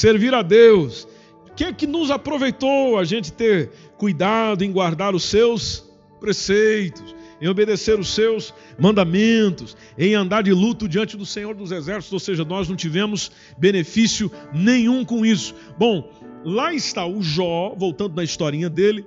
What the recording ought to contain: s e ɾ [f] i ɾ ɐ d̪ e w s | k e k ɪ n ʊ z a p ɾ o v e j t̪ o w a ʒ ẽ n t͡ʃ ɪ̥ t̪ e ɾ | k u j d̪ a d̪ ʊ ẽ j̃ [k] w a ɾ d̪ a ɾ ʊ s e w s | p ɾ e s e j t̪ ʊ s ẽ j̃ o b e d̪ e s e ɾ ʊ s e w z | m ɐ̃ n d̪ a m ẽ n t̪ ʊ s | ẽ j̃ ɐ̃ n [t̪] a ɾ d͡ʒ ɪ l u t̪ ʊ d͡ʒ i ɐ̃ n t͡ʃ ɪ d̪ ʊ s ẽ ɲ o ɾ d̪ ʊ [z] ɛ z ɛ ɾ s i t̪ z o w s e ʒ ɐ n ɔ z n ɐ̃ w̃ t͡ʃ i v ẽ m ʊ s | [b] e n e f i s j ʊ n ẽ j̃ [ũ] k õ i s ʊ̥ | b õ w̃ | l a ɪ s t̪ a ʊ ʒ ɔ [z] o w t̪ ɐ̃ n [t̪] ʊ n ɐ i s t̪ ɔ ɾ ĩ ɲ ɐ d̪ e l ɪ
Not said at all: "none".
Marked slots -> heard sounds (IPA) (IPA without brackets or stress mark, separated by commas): v, ɡ, d̪, z, b, ũ, v, d̪